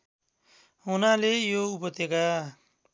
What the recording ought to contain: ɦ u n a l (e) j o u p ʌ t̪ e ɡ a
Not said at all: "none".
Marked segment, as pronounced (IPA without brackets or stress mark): e